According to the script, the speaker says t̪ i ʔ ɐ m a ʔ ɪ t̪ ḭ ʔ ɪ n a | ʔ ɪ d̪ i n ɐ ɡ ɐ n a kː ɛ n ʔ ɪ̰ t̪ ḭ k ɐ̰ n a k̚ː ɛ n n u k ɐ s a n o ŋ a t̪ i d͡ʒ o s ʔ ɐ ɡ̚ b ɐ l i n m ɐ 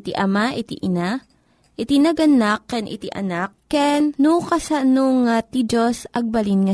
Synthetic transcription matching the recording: t̪ i ʔ ɐ m a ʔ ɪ t̪ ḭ ʔ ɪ n a | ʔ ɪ t̪ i n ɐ ɡ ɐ n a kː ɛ n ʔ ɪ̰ t̪ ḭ ʔ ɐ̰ n a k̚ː ɛ n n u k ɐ s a n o ŋ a t̪ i d͡ʒ o s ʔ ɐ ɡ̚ b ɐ l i n ŋ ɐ